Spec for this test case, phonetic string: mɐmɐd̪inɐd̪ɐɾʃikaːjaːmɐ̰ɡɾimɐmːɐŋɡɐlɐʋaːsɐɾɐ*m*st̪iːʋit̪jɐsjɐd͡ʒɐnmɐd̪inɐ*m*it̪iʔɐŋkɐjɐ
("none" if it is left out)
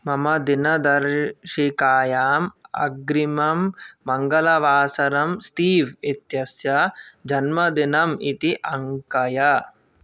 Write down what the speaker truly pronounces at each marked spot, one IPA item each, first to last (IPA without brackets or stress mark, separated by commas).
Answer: m, m